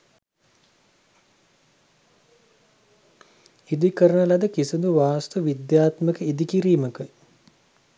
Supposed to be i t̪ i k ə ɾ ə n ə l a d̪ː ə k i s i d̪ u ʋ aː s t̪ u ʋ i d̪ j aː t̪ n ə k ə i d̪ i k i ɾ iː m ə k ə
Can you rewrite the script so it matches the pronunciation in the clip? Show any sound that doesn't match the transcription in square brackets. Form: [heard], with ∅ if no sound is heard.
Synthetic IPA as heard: i [d̪] i k ə ɾ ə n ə l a [d̪] ə k i s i d̪ u ʋ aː s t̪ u ʋ i d̪ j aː t̪ [m] ə k ə i d̪ i k i ɾ iː m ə k ə